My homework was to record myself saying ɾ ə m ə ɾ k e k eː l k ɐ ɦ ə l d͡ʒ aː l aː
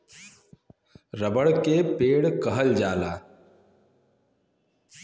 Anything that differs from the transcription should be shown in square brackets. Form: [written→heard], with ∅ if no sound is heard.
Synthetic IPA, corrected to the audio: ɾ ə [m→b] ə [ɾ→ɽ] k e [k→p] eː [l→ɽ] k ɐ ɦ ə l d͡ʒ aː l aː